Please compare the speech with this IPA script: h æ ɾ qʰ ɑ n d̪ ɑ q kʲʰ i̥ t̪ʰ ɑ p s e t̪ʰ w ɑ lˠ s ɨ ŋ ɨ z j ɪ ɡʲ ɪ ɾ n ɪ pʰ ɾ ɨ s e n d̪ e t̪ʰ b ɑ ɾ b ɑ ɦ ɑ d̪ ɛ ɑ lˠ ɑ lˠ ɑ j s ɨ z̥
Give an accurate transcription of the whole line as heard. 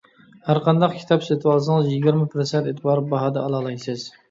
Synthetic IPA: h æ ɾ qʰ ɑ n d̪ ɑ q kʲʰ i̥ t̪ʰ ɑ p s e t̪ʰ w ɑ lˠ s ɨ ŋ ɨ z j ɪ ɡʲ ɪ ɾ m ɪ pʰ ɾ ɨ s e n t̪ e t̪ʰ b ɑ ɾ b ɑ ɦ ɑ d̪ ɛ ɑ lˠ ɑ lˠ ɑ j s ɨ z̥